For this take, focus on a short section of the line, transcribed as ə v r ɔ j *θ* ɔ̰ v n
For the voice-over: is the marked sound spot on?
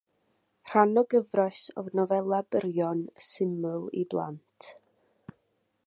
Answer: no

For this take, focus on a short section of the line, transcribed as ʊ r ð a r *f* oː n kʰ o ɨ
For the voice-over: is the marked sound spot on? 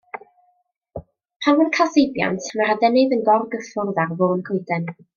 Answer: no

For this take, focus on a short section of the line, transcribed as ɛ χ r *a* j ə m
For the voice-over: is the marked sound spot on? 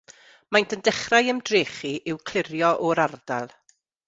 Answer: yes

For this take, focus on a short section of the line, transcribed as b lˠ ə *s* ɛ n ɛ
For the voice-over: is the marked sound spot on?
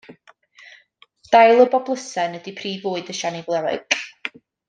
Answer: yes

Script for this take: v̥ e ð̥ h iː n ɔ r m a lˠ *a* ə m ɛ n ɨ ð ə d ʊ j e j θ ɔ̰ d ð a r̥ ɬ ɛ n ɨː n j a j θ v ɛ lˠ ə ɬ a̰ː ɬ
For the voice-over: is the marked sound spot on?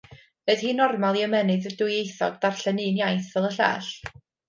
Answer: no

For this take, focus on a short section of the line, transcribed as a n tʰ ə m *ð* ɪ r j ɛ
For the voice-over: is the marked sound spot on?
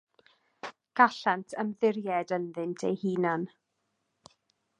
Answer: yes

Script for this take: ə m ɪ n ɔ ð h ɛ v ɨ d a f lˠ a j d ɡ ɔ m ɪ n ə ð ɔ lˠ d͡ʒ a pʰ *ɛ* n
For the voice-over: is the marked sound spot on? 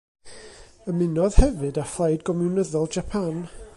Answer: no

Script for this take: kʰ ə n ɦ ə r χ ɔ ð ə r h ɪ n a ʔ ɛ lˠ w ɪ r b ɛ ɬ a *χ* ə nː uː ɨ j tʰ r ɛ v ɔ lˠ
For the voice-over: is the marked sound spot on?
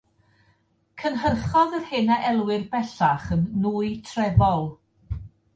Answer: yes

